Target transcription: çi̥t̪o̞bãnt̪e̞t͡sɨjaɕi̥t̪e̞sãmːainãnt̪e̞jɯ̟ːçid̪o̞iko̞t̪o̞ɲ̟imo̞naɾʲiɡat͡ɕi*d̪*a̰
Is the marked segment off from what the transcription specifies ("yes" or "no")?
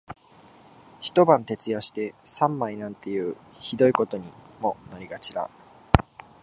no